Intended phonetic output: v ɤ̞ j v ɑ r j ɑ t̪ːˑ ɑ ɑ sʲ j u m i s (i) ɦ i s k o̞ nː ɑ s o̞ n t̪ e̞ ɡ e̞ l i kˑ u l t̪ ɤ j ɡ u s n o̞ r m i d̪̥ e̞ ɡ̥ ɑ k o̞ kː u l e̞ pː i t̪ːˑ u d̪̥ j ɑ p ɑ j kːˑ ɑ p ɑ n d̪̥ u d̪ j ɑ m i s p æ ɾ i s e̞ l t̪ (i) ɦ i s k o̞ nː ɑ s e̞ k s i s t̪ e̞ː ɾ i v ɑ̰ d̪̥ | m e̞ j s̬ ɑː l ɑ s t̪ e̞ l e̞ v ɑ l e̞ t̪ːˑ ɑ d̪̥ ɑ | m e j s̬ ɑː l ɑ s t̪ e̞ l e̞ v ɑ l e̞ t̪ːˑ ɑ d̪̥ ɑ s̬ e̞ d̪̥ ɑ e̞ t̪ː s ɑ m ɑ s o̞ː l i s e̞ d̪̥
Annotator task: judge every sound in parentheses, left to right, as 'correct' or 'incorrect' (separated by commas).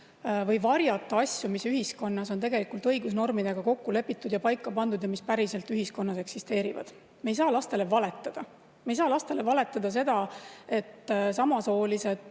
incorrect, incorrect